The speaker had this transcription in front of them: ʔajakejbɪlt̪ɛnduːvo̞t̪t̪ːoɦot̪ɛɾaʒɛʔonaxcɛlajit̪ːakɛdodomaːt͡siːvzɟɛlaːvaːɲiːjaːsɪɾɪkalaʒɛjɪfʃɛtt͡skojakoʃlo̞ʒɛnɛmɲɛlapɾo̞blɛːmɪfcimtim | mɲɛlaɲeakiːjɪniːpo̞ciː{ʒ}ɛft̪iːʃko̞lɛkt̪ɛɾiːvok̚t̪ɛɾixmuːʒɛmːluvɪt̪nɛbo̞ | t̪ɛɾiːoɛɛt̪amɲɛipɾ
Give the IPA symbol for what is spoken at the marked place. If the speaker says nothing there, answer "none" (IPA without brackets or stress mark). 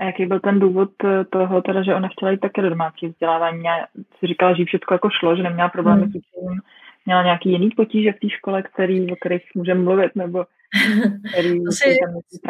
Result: ʒ